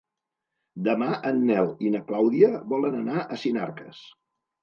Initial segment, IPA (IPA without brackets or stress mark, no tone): d̪